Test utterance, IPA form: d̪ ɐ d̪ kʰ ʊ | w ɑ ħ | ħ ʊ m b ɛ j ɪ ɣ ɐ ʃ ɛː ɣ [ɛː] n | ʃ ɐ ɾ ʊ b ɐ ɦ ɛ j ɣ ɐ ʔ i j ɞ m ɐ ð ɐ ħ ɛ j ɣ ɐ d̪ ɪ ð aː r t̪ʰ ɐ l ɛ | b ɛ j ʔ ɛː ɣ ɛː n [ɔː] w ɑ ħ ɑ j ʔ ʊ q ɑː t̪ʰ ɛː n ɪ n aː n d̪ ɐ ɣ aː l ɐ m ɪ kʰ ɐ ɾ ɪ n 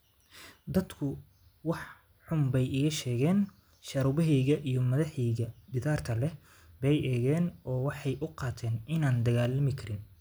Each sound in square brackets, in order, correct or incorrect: correct, correct

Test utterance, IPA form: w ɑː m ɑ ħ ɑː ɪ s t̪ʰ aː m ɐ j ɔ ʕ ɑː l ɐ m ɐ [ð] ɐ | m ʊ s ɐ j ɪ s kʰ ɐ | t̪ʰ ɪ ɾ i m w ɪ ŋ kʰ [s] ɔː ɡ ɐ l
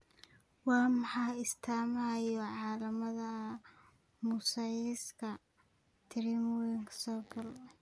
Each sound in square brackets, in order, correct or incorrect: correct, correct

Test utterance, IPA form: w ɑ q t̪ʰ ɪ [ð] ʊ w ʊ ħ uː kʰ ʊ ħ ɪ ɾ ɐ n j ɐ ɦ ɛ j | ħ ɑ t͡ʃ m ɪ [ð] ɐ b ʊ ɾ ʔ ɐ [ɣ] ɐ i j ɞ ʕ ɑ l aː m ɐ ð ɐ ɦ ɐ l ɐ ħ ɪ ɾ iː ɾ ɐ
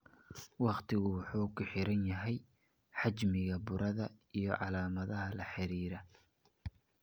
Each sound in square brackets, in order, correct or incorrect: incorrect, incorrect, incorrect

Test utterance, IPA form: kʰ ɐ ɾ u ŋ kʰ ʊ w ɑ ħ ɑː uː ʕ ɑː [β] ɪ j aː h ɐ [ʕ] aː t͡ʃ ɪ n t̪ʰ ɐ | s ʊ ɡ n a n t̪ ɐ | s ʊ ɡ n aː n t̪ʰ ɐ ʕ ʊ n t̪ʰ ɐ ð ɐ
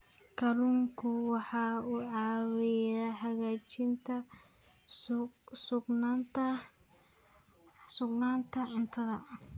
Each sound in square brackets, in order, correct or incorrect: incorrect, incorrect

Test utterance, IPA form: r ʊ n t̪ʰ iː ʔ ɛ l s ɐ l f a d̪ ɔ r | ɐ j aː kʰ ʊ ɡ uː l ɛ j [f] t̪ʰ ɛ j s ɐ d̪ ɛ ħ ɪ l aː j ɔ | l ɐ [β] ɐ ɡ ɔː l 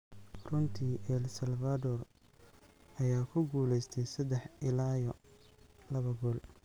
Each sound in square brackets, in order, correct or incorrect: incorrect, correct

